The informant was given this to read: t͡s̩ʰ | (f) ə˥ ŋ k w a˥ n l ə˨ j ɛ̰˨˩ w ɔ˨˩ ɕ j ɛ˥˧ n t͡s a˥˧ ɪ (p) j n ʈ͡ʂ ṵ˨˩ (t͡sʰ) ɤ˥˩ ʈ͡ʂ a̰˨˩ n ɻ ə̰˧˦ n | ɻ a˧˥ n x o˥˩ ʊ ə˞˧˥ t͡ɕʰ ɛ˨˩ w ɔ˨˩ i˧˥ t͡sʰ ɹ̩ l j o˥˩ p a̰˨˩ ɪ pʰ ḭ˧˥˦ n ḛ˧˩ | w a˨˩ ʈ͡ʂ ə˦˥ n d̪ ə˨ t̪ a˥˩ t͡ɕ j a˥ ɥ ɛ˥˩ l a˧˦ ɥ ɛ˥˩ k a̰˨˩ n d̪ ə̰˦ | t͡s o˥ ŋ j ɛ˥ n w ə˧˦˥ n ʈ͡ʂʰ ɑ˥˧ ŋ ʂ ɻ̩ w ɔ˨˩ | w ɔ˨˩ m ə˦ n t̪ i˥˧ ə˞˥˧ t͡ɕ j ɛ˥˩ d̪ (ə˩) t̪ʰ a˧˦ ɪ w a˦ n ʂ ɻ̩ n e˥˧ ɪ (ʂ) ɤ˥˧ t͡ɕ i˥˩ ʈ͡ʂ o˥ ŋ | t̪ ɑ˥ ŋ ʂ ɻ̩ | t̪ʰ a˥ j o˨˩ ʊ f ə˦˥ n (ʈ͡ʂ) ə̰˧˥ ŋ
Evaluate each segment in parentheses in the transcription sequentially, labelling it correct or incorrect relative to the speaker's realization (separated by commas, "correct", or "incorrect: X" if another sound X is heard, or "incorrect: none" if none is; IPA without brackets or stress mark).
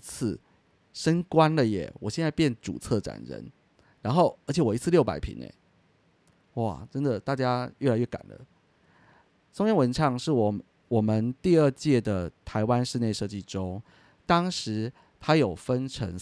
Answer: incorrect: ʂ, correct, correct, correct, correct, incorrect: ʈ͡ʂʰ